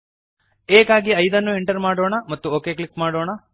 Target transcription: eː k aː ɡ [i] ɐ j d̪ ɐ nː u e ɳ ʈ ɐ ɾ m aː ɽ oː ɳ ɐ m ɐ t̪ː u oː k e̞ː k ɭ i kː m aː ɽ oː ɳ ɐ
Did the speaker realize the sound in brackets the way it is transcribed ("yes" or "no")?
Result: yes